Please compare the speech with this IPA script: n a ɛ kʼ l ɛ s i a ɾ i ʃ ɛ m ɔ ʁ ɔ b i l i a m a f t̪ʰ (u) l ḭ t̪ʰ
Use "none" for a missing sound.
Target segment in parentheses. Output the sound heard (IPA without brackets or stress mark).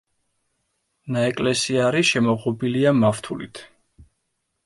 u